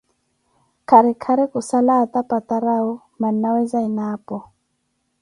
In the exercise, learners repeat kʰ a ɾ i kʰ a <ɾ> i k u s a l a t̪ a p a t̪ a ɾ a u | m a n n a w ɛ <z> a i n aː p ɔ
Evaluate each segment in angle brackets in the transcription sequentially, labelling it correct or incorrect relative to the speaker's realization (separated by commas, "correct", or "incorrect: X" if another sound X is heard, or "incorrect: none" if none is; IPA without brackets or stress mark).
correct, correct